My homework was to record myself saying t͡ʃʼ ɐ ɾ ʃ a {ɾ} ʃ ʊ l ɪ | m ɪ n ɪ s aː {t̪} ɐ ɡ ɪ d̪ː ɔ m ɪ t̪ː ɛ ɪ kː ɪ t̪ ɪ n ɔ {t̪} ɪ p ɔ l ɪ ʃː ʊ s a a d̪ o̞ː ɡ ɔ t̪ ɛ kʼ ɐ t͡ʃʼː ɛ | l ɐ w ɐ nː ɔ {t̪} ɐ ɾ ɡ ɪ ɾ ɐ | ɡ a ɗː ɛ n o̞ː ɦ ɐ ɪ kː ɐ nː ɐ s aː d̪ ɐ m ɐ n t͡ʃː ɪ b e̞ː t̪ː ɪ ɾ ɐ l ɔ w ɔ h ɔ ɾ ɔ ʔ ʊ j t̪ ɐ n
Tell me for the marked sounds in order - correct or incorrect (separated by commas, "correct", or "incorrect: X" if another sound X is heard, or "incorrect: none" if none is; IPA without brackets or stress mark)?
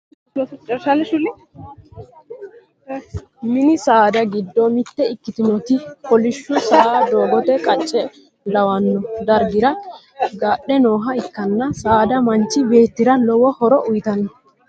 incorrect: l, incorrect: d̪, correct, incorrect: d̪